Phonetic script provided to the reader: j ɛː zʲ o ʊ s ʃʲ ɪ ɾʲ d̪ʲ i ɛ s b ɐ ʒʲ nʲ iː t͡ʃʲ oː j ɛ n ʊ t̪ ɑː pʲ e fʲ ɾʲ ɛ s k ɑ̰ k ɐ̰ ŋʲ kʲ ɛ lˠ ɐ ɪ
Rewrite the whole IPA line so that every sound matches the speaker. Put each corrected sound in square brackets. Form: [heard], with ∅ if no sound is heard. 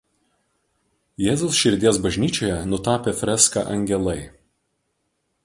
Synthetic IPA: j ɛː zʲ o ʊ s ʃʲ ɪ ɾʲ d̪ʲ i ɛ s b ɐ ʒʲ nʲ iː t͡ʃʲ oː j ɛ n ʊ t̪ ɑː pʲ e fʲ ɾʲ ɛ s k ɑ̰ [ʔ] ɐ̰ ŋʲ [ɡʲ] ɛ lˠ ɐ ɪ